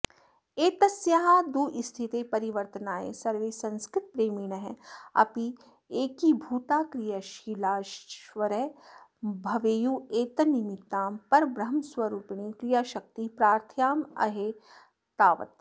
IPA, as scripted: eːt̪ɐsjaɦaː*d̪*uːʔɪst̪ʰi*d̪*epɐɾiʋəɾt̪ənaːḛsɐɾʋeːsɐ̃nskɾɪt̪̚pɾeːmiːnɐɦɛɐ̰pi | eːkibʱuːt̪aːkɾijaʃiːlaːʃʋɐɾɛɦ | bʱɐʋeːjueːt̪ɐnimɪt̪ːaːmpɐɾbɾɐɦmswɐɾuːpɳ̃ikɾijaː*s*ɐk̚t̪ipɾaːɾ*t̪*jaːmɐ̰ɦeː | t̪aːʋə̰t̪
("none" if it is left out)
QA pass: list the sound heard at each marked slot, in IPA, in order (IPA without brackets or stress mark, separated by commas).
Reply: d̪, t̪, ʃ, t̪ʰ